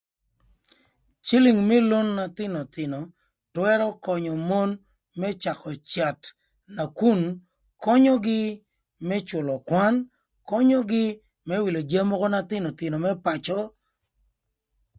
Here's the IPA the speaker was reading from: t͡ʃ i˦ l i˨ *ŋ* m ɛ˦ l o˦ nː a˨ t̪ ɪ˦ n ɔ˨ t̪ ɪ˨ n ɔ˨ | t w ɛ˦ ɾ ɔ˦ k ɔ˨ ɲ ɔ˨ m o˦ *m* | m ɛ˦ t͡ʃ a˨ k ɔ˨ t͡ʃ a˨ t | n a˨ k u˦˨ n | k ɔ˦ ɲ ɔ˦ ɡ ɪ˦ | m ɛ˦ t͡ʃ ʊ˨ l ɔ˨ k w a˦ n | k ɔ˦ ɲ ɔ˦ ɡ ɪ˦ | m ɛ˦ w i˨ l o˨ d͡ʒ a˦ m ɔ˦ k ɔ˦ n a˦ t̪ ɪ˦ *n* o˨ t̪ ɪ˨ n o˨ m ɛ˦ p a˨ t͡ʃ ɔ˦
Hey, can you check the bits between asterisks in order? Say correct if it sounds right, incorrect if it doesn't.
correct, incorrect: n, correct

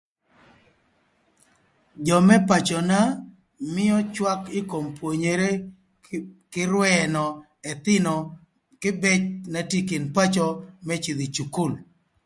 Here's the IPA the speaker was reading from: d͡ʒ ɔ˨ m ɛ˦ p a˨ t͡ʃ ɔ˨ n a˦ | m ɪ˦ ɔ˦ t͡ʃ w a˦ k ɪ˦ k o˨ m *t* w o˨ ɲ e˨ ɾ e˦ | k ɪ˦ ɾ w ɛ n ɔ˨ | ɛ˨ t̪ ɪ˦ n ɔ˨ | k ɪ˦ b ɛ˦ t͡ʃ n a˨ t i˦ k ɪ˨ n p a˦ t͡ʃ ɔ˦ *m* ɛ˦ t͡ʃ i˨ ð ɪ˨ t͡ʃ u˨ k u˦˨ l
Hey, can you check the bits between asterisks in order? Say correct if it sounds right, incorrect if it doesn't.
incorrect: p, correct

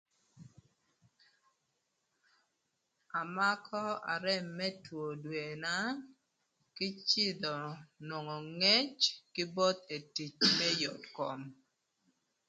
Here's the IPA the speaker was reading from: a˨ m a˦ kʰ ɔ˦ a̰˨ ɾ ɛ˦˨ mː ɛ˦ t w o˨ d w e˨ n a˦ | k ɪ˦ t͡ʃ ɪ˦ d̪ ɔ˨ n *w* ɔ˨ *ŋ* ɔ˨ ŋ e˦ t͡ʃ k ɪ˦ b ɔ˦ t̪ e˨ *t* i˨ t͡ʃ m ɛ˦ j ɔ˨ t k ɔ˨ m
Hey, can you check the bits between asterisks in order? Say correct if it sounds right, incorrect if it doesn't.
correct, correct, correct

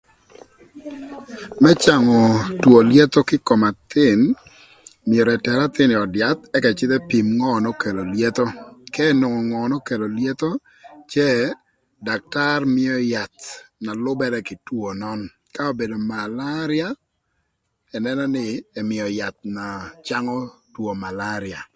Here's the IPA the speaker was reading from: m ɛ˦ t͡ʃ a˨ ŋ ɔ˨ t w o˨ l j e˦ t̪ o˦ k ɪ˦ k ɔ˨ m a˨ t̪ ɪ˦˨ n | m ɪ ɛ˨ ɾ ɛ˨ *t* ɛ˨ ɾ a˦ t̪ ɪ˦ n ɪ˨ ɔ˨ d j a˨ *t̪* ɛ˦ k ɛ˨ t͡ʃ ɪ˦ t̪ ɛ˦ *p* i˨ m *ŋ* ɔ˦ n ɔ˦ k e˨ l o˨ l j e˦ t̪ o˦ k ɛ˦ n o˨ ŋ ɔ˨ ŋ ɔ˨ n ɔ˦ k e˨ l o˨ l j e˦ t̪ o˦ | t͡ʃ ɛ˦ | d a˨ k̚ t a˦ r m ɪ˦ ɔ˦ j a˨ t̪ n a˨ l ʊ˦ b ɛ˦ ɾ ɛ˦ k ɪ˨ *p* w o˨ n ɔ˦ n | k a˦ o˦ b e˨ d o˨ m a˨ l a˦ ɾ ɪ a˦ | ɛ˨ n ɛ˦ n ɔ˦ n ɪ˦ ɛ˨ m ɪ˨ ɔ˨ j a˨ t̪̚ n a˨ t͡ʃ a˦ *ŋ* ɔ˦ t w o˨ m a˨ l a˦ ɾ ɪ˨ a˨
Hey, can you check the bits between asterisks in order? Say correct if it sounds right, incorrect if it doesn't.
correct, correct, correct, correct, incorrect: t, correct

